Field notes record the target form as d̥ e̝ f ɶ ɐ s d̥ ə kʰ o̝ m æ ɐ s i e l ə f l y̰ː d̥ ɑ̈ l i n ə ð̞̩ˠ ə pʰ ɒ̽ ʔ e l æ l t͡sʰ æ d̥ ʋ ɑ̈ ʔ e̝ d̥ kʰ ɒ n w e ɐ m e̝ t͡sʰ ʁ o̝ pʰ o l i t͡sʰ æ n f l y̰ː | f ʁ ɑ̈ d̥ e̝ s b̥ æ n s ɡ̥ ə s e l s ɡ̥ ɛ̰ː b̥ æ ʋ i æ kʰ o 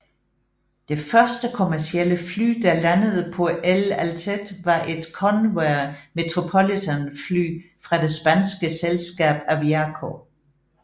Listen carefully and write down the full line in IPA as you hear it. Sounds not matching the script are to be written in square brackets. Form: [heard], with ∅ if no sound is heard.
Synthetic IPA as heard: d̥ e̝ f ɶ ɐ s d̥ ə kʰ o̝ m æ ɐ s i e l ə f l y̰ː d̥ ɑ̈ l [æ] n ə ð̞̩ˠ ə pʰ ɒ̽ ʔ e l æ l t͡sʰ [e] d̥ ʋ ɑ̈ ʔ e̝ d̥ kʰ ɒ n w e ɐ m e̝ t͡sʰ ʁ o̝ pʰ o l i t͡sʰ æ n f l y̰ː | f ʁ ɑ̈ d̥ e̝ s b̥ æ n s ɡ̥ ə s e l s ɡ̥ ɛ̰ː b̥ æ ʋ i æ kʰ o